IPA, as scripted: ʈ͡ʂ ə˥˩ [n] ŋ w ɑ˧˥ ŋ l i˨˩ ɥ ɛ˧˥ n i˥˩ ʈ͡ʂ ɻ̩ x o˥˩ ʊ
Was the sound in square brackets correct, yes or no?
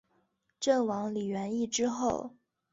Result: no